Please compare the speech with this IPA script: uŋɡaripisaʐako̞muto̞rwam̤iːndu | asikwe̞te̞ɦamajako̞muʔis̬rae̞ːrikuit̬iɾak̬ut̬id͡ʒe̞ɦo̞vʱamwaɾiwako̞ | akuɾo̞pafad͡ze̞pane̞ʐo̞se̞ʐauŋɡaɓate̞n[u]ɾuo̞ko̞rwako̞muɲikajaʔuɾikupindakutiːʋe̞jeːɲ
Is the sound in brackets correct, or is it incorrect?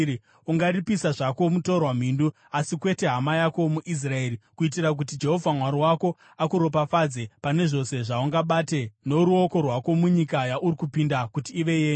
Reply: incorrect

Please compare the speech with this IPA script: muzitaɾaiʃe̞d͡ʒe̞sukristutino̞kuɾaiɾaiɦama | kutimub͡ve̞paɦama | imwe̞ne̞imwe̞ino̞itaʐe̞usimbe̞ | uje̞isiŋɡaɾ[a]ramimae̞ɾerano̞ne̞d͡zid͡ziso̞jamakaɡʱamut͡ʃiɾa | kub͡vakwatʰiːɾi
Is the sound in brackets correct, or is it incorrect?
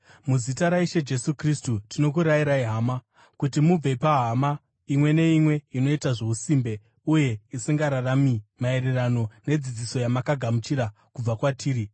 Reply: correct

